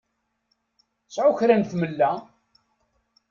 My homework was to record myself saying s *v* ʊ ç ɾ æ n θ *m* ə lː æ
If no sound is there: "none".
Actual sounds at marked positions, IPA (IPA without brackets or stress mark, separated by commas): ʕ, m